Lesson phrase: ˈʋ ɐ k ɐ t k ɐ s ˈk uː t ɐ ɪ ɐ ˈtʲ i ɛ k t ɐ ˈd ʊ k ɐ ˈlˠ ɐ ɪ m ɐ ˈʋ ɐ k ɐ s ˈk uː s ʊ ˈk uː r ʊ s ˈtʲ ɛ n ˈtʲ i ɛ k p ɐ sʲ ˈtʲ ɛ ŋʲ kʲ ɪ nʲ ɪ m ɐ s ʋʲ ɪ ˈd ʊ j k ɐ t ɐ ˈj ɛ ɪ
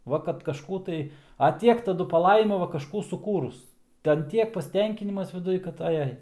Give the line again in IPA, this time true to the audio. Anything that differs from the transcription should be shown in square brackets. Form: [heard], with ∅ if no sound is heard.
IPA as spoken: ˈʋ ɐ k ɐ t k ɐ [ʃ] ˈk uː t ɐ ɪ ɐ ˈtʲ i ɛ k t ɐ ˈd ʊ [p] ɐ ˈlˠ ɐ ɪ m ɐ ˈʋ ɐ k ɐ [ʃ] ˈk uː s ʊ ˈk uː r ʊ s ˈtʲ ɛ n ˈtʲ i ɛ k p ɐ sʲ ˈtʲ ɛ ŋʲ kʲ ɪ nʲ ɪ m ɐ s ʋʲ ɪ ˈd ʊ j k ɐ t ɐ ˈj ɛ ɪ